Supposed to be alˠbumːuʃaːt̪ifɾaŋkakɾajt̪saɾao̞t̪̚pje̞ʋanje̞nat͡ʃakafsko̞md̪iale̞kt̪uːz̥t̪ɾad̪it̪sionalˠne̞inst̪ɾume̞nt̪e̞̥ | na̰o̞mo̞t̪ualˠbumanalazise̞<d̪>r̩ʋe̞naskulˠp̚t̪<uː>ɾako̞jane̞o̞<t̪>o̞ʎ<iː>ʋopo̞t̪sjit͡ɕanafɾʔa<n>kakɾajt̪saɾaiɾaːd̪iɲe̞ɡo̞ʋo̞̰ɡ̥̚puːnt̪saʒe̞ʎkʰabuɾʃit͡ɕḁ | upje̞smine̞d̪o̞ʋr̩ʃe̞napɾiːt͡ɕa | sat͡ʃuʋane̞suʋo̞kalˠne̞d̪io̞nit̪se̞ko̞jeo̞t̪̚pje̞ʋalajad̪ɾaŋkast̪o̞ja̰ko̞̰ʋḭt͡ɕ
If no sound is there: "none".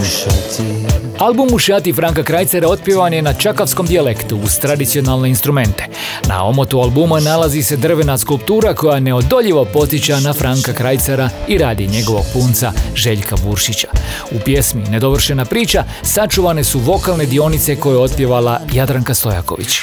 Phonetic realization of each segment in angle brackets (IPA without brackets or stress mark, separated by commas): d̪, uː, d̪, i, ŋ